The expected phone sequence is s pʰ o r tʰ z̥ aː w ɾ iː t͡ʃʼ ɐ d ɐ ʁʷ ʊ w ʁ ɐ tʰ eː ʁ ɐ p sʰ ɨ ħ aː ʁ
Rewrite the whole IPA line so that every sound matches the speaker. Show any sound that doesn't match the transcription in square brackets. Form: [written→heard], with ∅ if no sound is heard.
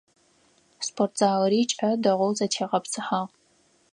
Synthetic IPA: s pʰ o r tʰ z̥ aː w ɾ iː t͡ʃʼ ɐ d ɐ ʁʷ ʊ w [ʁ→z] ɐ tʰ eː ʁ ɐ p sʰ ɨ ħ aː ʁ